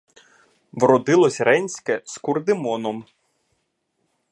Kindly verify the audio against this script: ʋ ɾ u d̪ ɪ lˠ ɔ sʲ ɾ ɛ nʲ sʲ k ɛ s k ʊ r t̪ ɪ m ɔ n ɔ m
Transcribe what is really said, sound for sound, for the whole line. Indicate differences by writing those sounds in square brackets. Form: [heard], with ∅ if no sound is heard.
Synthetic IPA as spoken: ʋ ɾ [ɔ] d̪ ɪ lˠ ɔ sʲ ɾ ɛ nʲ sʲ k ɛ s k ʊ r [d̪] ɪ m ɔ n ɔ m

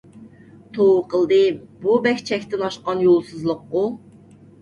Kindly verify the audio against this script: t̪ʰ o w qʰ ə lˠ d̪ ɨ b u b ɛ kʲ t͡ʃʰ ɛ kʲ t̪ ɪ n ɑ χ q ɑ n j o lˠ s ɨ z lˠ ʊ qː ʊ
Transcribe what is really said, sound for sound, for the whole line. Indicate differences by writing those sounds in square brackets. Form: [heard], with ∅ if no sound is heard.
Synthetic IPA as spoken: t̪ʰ o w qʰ ə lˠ d̪ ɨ b u b ɛ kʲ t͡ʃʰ ɛ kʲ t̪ ɪ n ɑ [ʃ] q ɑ n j o lˠ s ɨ z lˠ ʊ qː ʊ

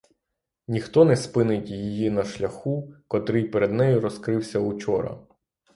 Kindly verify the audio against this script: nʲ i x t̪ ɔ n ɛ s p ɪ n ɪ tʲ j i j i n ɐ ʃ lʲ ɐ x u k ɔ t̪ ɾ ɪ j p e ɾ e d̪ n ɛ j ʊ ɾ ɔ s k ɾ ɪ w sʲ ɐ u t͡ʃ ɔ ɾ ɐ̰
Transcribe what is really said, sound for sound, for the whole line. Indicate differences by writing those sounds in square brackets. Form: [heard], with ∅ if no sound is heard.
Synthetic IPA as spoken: nʲ i x t̪ ɔ n ɛ s p ɪ n ɪ tʲ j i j i n ɐ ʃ lʲ ɐ x u k ɔ t̪ ɾ ɪ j p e ɾ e d̪ n ɛ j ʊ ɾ ɔ s k ɾ ɪ w sʲ ɐ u t͡ʃ ɔ ɾ ɐ̰

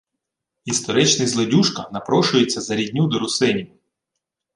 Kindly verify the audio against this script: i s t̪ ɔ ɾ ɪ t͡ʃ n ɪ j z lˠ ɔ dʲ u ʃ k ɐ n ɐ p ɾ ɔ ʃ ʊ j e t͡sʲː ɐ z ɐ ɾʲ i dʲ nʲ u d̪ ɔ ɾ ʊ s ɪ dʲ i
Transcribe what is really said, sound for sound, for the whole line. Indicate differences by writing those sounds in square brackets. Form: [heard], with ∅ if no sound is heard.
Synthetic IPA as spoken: i s t̪ ɔ ɾ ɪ t͡ʃ n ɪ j z lˠ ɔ dʲ u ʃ k ɐ n ɐ p ɾ ɔ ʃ ʊ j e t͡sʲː ɐ z ɐ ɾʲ i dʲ nʲ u d̪ ɔ ɾ ʊ s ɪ [nʲ] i

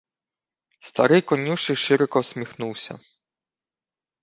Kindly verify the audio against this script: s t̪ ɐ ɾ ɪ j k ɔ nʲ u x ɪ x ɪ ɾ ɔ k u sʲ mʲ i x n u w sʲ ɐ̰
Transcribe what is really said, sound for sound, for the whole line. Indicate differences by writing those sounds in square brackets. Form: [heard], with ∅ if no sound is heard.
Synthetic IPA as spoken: s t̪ ɐ ɾ ɪ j k ɔ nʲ u [ʃ] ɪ [ʃ] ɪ ɾ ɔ k [ɔ] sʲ mʲ i x n u w sʲ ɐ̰

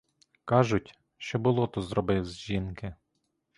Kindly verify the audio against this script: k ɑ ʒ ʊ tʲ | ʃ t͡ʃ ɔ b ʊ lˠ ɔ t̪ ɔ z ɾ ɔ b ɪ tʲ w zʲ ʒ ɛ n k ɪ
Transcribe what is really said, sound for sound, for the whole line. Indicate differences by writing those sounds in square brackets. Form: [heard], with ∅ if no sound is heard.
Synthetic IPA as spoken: k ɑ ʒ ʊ tʲ | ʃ t͡ʃ ɔ b ʊ lˠ ɔ t̪ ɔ z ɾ ɔ b ɪ [∅] w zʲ ʒ [i] n k ɪ

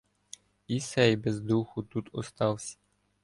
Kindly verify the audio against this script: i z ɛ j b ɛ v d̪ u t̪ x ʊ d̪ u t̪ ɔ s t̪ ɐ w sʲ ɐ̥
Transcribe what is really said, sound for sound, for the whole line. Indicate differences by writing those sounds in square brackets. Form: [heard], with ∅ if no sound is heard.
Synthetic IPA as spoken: i [s] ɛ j b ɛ [z] d̪ u [∅] x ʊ [t̪] u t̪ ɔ s t̪ [ɑ] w sʲ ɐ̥

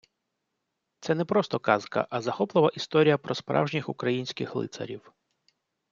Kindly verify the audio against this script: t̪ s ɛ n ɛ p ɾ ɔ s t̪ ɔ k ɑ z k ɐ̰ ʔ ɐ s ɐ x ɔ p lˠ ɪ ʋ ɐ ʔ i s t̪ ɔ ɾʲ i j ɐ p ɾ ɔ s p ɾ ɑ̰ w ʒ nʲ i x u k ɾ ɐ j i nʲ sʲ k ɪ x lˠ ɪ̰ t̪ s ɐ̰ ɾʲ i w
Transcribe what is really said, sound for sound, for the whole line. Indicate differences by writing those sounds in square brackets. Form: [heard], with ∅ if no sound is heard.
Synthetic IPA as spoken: t̪ s ɛ n ɛ p ɾ ɔ s t̪ ɔ k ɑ z k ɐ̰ ʔ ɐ [z] ɐ x ɔ p lˠ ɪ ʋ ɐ ʔ i s t̪ ɔ ɾʲ i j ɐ p ɾ ɔ s p ɾ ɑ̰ w ʒ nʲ i x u k ɾ ɐ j i nʲ sʲ k ɪ x lˠ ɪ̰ t̪ s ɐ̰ ɾʲ i w

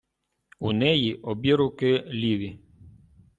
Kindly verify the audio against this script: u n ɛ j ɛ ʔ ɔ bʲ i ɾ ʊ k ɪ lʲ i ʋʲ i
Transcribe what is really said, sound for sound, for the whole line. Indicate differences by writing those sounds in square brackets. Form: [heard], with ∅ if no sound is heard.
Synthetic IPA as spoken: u n ɛ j [i] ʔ ɔ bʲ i ɾ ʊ k ɪ lʲ i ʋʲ i

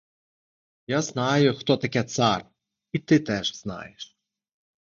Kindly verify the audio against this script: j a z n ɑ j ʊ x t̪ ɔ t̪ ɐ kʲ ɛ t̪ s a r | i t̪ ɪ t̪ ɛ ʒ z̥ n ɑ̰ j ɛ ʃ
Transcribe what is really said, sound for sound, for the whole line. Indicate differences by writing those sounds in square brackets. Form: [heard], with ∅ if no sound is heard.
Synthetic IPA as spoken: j a z n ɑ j ʊ x t̪ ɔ t̪ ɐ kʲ ɛ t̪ s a r | i t̪ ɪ t̪ ɛ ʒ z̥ n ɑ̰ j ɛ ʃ

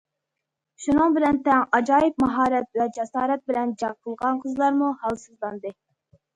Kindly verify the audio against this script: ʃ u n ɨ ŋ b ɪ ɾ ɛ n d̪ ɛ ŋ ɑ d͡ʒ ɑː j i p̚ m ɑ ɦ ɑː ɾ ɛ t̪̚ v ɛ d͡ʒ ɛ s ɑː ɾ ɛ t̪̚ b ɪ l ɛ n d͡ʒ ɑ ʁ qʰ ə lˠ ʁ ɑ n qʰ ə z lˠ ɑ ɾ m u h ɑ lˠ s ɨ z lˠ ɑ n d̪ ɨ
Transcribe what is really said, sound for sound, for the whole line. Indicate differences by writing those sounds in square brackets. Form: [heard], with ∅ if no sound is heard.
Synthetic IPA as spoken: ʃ u n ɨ ŋ b ɪ [l] ɛ n [t̪] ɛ ŋ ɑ d͡ʒ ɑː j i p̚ m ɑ ɦ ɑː ɾ ɛ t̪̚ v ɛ d͡ʒ ɛ s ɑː ɾ ɛ t̪̚ b ɪ l ɛ n d͡ʒ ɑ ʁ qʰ ə lˠ ʁ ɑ n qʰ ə z lˠ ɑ ɾ m u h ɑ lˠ s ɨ z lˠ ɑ n d̪ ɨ

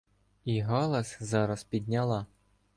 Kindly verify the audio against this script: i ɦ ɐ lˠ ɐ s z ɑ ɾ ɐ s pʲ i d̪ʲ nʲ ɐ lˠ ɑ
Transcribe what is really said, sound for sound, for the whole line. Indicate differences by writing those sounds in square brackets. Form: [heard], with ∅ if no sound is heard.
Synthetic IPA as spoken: i ɦ [ɑ] lˠ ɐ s z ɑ ɾ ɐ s pʲ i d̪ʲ nʲ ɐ lˠ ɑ

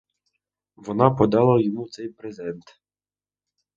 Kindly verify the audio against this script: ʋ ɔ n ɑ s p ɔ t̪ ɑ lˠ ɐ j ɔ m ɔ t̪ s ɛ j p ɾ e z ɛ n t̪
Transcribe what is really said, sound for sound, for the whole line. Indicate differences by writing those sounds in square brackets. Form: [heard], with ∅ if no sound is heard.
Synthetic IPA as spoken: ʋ ɔ n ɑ [∅] p ɔ [d̪] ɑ lˠ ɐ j ɔ m [u] t̪ s ɛ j p ɾ e z ɛ n t̪

